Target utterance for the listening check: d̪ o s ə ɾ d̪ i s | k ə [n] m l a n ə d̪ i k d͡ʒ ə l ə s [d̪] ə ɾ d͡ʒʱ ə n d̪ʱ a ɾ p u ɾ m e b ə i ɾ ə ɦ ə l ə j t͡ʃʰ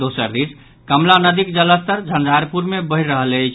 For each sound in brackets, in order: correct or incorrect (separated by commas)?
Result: incorrect, incorrect